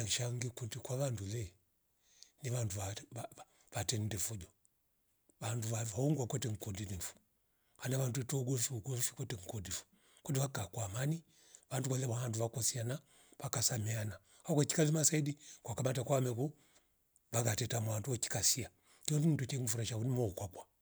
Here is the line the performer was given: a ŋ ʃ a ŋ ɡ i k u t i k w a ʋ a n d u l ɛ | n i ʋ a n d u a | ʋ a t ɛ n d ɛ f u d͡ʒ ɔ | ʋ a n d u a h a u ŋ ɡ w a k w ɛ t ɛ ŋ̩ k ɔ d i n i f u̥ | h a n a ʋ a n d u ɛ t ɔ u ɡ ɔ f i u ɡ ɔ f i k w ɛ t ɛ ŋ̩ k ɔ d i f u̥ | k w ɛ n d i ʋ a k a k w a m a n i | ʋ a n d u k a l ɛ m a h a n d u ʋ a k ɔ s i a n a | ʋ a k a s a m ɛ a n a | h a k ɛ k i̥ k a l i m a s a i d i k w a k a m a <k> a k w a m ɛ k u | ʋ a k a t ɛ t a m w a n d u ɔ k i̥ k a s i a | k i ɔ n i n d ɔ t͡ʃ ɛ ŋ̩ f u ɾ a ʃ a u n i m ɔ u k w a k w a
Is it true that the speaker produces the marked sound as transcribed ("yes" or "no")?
no